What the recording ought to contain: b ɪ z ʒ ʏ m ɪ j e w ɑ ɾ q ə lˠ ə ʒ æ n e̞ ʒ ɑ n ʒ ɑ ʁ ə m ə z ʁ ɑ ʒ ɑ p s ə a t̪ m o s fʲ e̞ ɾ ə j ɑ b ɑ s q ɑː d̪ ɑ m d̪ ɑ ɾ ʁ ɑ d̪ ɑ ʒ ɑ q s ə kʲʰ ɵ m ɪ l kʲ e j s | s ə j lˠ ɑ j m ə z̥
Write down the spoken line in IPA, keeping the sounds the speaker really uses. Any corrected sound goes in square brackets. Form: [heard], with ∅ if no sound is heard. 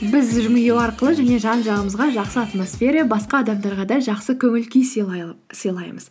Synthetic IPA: b ɪ z ʒ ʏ m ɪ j e w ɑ ɾ q ə lˠ ə ʒ æ n e̞ ʒ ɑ n ʒ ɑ ʁ ə m ə z ʁ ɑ ʒ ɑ [q] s ə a t̪ m o s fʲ e̞ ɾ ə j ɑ b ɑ s q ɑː d̪ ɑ m d̪ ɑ ɾ ʁ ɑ d̪ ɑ ʒ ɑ q s ə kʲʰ ɵ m ɪ l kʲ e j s | s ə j lˠ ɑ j m ə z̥